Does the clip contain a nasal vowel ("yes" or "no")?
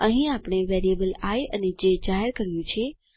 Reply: yes